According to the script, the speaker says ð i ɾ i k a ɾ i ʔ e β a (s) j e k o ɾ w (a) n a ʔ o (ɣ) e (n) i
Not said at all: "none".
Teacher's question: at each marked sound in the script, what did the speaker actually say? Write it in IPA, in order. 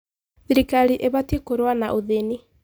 t, a, ð, n

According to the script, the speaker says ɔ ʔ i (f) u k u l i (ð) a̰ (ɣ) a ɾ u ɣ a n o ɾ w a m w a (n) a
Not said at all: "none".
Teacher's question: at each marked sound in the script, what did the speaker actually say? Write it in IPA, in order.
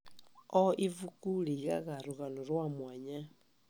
v, ɣ, ɣ, ɲ

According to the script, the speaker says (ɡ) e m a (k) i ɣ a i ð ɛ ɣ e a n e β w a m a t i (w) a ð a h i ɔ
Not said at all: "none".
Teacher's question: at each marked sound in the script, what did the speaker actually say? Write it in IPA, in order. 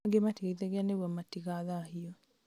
ɡ, t, ɣ

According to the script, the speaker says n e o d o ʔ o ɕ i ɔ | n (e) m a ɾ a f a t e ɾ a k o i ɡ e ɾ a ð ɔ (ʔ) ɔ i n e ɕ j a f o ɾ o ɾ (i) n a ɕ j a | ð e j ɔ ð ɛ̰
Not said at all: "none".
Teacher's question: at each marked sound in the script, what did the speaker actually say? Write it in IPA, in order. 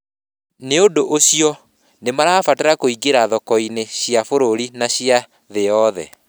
e, k, i

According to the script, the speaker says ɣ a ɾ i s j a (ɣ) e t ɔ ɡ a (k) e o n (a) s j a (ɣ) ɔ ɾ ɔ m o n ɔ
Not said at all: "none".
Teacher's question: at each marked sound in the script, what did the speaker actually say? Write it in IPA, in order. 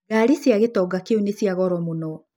ɣ, k, e, ɣ

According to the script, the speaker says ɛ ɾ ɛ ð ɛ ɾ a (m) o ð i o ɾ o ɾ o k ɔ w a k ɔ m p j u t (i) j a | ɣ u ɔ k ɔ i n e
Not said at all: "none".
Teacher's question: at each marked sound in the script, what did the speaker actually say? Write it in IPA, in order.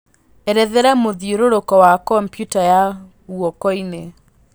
m, a

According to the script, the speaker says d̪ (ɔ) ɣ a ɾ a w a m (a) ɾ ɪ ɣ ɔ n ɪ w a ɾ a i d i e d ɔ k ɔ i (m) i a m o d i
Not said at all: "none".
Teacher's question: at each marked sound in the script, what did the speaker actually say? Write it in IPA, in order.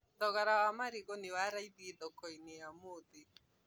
ɔ, a, n

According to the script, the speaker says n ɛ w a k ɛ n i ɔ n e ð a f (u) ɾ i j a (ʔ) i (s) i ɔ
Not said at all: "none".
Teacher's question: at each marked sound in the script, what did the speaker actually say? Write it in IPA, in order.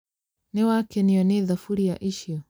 u, ʔ, ʃ

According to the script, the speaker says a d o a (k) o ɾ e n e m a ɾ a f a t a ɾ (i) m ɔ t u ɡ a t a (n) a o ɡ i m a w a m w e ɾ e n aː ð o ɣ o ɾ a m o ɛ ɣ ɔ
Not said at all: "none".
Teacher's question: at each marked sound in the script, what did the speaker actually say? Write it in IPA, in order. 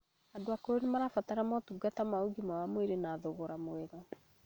k, a, m

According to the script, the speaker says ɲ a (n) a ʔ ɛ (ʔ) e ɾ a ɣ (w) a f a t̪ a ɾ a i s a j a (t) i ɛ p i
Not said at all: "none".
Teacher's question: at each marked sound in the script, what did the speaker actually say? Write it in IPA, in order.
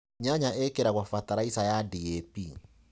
ɲ, k, w, d

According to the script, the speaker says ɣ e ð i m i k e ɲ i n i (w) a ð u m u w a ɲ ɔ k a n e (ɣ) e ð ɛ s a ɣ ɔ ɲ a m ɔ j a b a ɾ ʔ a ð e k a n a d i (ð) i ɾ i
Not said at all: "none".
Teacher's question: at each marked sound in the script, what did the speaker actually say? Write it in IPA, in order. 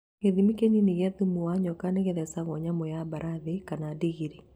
ɣ, ɣ, ɣ

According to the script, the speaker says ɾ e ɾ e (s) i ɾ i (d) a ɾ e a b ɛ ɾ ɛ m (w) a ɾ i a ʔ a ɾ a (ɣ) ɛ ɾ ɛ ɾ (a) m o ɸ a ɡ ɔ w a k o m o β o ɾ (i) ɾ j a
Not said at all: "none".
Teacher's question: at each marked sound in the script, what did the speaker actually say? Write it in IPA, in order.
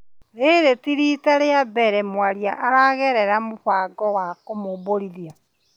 t, t, w, ɣ, a, i

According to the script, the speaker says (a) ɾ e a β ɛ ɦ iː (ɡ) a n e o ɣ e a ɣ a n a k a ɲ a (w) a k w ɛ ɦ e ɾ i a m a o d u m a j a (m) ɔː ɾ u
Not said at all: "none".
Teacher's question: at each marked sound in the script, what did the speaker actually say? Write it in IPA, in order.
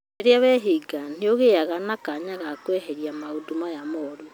e, ɡ, ɣ, m

